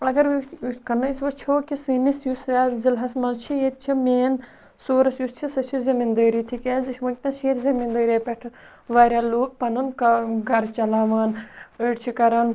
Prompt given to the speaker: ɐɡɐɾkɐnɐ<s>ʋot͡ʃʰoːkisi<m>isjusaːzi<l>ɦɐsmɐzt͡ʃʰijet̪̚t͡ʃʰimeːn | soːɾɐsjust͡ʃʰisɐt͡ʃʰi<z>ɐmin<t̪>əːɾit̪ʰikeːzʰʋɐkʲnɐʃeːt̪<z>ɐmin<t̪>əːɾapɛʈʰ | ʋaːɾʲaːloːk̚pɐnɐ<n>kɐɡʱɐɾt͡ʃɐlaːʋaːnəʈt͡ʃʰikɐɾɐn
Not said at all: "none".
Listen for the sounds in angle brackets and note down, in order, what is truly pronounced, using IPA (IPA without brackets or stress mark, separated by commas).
s, n, l, z, d̪, z, d̪, n